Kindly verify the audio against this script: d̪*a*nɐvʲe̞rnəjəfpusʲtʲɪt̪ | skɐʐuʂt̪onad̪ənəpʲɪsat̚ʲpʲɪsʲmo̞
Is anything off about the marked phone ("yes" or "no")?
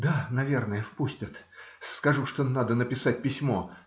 no